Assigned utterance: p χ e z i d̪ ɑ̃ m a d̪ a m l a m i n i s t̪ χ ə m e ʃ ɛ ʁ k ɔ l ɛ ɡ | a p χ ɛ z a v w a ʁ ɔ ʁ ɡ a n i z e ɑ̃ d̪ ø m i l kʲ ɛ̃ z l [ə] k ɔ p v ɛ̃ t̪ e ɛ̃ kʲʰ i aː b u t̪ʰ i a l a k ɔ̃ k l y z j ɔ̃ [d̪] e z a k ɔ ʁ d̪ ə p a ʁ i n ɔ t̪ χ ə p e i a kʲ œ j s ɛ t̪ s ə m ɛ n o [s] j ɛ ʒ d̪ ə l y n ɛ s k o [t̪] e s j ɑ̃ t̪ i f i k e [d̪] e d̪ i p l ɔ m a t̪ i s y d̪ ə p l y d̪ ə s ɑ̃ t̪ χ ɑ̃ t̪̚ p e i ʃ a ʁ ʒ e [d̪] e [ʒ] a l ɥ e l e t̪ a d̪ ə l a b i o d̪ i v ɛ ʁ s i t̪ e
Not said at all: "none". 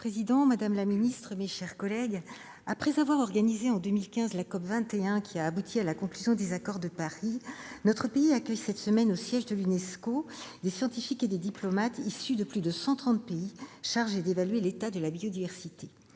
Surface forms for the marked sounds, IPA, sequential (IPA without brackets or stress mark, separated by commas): a, d̪, s, d̪, d̪, d̪, v